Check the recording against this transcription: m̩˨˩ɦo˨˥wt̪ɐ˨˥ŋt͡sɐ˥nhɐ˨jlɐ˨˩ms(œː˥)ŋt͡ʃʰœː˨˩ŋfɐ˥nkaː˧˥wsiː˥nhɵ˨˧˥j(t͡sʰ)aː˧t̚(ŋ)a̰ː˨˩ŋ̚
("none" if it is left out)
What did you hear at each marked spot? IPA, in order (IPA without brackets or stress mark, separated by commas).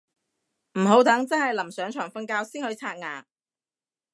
œː˨˥, t͡sʰ, ŋ